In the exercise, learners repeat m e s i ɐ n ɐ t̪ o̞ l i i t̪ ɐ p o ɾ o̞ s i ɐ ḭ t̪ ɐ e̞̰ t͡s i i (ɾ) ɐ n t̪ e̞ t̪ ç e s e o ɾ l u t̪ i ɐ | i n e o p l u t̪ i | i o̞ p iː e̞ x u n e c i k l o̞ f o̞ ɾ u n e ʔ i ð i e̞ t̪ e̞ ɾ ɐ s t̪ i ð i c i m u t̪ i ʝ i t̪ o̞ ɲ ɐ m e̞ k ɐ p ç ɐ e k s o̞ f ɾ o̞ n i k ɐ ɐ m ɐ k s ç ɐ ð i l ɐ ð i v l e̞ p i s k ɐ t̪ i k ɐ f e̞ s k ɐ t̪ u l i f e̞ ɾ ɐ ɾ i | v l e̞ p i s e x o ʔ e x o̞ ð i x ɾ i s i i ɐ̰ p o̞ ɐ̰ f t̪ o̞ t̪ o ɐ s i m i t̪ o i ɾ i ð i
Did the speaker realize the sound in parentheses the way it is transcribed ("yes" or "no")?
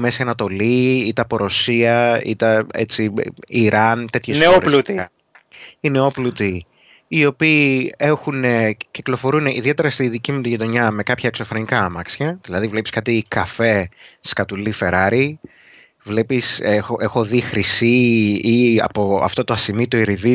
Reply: yes